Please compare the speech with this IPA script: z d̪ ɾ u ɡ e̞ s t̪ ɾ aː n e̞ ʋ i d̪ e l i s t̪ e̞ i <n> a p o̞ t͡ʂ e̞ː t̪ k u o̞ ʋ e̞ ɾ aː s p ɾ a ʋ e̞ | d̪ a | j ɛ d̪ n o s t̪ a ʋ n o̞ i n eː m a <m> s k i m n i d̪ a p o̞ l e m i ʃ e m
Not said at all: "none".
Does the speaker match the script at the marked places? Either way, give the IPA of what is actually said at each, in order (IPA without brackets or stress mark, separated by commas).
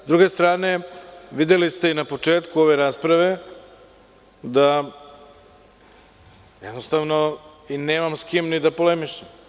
n, m